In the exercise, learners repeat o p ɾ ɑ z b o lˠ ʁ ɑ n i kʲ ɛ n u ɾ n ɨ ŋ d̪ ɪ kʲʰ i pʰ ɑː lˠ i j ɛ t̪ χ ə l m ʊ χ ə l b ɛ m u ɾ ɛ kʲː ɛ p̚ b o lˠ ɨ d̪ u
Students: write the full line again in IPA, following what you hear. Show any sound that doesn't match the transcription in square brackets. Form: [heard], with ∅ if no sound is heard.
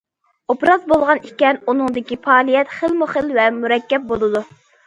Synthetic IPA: o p ɾ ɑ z b o lˠ ʁ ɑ n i kʲ ɛ n u [∅] n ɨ ŋ d̪ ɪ [kʲ] i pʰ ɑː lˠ i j ɛ t̪ χ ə l m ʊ χ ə l [v] ɛ m u ɾ ɛ kʲː ɛ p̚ b o lˠ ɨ d̪ u